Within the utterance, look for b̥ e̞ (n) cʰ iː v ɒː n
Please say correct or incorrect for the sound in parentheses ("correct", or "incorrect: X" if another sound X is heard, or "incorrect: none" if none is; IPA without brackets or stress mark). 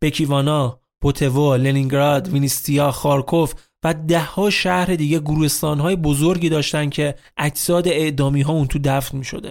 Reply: incorrect: none